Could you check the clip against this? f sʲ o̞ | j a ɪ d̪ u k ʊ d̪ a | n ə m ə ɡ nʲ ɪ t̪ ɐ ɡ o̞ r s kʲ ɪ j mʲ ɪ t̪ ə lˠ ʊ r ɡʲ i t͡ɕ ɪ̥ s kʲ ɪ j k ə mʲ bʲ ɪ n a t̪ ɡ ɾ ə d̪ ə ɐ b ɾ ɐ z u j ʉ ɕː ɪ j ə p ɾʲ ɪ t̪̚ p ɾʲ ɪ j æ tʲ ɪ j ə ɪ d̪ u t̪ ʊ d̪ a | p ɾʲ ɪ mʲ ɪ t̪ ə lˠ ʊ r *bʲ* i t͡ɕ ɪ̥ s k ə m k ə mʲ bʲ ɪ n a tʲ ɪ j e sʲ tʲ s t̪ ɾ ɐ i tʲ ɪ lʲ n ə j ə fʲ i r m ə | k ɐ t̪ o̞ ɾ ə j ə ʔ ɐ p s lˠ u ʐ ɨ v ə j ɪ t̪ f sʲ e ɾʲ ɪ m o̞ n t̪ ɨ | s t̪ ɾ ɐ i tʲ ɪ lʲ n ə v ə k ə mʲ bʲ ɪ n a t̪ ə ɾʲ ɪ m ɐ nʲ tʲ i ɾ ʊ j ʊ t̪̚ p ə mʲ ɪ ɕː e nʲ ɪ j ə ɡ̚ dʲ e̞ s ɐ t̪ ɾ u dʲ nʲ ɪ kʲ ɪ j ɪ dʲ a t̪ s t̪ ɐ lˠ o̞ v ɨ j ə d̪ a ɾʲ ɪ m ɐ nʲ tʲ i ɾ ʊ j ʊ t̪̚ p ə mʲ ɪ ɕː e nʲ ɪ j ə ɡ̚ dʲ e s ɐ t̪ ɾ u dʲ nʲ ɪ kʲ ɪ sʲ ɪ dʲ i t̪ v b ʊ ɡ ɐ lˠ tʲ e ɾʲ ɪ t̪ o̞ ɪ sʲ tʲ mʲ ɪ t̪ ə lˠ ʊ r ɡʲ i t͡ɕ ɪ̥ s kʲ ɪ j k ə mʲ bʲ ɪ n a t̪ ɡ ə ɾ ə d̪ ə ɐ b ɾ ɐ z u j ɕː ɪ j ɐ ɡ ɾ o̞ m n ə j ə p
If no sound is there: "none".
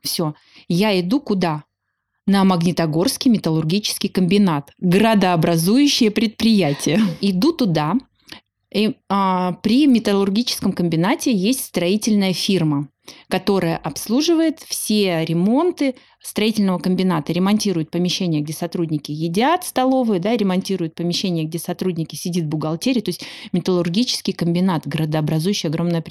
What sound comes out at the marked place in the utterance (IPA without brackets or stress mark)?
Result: ɡʲ